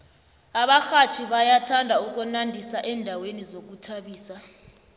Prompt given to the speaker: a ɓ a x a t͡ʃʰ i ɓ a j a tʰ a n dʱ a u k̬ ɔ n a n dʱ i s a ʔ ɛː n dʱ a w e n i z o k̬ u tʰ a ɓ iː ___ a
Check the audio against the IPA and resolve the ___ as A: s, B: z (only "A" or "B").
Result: A